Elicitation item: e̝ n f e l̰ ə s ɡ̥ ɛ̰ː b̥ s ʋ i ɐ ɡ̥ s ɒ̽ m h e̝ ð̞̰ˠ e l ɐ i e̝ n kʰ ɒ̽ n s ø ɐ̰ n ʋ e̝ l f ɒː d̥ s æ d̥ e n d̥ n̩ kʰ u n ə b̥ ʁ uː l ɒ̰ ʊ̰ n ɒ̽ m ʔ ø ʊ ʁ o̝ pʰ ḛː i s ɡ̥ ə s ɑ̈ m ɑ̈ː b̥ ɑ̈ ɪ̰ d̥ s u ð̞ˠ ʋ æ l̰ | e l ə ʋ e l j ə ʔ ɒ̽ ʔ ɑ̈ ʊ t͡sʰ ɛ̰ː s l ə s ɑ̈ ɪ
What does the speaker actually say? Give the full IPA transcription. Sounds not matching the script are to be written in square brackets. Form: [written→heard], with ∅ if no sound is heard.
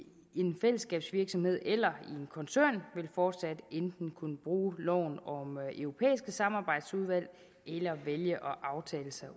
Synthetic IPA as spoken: e̝ n f e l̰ ə s ɡ̥ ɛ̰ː b̥ s ʋ i ɐ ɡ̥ s ɒ̽ m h e̝ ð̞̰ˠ e l ɐ i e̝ n kʰ ɒ̽ n s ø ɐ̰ n ʋ e̝ l f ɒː d̥ s æ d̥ e n d̥ n̩ kʰ u n ə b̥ ʁ uː l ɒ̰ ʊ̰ n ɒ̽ m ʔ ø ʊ ʁ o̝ pʰ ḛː i s ɡ̥ ə s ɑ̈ m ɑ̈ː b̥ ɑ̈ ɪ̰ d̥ s u ð̞ˠ ʋ æ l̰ | e l [ə→ɐ] ʋ e l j ə ʔ ɒ̽ ʔ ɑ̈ ʊ t͡sʰ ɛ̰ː [s→∅] l ə s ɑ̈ ɪ